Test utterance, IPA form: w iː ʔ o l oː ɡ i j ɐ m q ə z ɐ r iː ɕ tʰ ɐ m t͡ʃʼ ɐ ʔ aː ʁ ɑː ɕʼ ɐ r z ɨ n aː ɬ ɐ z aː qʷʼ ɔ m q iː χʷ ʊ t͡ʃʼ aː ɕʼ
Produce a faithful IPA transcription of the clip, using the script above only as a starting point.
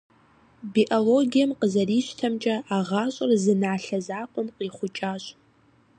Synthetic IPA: b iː ʔ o l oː ɡ i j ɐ m q ə z ɐ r iː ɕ tʰ ɐ m t͡ʃʼ ɐ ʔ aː ʁ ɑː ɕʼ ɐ r z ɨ n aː ɬ ɐ z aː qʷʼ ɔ m q iː χʷ ʊ t͡ʃʼ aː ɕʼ